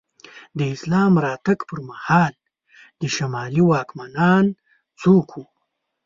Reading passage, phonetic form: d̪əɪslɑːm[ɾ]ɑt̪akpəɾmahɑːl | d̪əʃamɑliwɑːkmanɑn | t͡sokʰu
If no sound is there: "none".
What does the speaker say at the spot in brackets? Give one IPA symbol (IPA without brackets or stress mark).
ɾ